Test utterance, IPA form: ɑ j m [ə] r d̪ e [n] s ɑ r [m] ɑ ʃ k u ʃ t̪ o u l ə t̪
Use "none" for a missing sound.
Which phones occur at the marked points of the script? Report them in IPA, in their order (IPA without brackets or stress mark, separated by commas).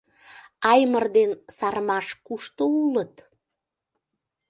ə, n, m